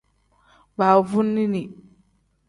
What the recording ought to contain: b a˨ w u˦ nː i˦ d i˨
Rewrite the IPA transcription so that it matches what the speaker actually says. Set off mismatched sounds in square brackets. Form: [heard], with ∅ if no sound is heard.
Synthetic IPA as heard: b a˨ [v] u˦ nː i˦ [n] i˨